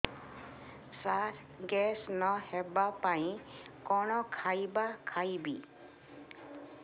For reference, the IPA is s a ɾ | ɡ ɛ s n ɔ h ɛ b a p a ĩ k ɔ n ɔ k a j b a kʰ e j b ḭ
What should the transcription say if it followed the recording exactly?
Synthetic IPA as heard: s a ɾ | ɡ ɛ s n ɔ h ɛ b a p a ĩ k ɔ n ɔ kʰ a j b a kʰ a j b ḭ

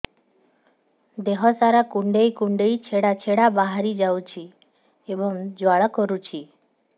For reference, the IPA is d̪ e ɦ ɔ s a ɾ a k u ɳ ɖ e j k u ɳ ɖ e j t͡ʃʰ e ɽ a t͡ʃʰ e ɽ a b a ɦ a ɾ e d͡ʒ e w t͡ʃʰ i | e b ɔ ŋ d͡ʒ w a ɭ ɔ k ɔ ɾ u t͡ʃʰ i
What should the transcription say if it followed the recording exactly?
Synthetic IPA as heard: d̪ e ɦ ɔ s a ɾ a k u ɳ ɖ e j k u ɳ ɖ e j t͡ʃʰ e ɽ a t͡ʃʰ e ɽ a b a ɦ a ɾ i d͡ʒ a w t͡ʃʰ i | e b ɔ ŋ d͡ʒ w a ɭ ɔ k ɔ ɾ u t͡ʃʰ i

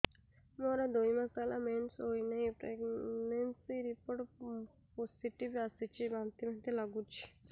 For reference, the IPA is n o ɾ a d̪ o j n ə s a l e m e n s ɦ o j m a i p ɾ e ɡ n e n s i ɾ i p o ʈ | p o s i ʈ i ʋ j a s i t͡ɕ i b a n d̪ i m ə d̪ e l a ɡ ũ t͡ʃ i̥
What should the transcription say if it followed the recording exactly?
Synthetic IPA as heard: m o ɾ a d̪ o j m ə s a l a m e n s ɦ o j n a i p ɾ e ɡ n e n s i ɾ i p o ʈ | p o s i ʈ i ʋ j a s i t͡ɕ i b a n t̪ i m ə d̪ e l a ɡ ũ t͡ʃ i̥

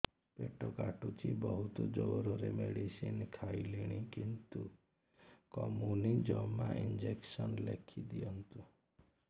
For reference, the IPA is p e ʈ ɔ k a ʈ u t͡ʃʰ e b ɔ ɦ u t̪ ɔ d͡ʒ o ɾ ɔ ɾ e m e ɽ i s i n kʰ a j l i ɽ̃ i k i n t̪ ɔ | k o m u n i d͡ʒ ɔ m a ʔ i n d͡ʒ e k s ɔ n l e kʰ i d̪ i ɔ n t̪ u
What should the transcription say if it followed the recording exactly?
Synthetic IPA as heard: p e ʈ ɔ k a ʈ u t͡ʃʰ i b ɔ ɦ u t̪ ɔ d͡ʒ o ɾ ɔ ɾ e m e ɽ i s i n kʰ a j l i ɽ̃ i k i n t̪ u | k ɔ m u n i d͡ʒ ɔ m a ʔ i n d͡ʒ e k s ɔ n l e kʰ i d̪ i ɔ n t̪ u

